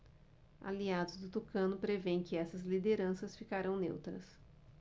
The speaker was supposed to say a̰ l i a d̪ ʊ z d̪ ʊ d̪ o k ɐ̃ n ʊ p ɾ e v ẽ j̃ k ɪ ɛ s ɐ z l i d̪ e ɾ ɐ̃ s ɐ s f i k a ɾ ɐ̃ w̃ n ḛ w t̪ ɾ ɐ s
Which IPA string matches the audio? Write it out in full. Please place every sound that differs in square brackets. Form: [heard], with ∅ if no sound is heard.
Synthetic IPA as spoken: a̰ l i a d̪ ʊ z d̪ ʊ [t̪] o k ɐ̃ n ʊ p ɾ e v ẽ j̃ k ɪ ɛ s ɐ z l i d̪ e ɾ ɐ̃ s ɐ s f i k a ɾ ɐ̃ w̃ n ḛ w t̪ ɾ ɐ s